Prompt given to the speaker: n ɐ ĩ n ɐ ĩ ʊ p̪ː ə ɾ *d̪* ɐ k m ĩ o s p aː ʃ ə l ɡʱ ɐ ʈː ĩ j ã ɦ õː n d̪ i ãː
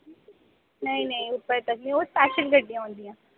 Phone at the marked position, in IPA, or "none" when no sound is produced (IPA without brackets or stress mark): t̪